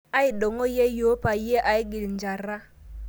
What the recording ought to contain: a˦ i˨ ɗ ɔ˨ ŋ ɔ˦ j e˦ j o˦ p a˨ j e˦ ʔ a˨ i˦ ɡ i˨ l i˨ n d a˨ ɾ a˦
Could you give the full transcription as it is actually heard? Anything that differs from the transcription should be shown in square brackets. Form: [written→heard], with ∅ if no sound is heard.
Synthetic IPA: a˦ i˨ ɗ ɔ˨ ŋ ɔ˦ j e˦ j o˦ p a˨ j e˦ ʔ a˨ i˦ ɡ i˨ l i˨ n [d→d͡ʒ] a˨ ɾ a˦